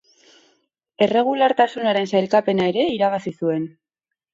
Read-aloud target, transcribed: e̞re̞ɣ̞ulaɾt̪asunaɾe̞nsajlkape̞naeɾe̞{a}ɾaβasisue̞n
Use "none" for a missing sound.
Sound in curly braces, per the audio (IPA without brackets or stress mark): i